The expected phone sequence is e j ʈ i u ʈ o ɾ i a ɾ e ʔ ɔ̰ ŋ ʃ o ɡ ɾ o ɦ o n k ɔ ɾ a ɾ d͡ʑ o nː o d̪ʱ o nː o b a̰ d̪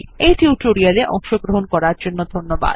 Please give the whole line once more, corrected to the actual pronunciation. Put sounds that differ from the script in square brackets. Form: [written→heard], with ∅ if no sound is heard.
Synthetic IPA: e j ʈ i u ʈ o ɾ i a ɾ e ʔ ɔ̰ ŋ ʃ o ɡ ɾ o ɦ o n k ɔ ɾ a ɾ d͡ʑ o nː o d̪ʱ o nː o b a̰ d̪